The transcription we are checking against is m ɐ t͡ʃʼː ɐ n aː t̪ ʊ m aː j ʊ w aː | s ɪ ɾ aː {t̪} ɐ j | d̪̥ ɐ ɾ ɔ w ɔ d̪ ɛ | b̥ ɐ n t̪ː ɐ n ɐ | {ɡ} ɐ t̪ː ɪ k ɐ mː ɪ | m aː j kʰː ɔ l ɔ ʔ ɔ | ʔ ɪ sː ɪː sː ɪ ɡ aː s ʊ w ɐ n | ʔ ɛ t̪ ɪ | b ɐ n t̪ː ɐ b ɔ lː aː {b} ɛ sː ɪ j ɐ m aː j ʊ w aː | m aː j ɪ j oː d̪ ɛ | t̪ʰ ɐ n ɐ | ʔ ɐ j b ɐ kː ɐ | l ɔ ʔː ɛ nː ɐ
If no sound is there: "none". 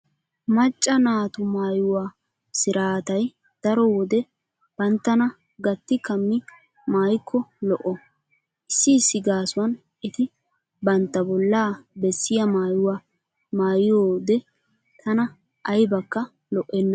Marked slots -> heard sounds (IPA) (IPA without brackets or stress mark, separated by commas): t̪, ɡ, b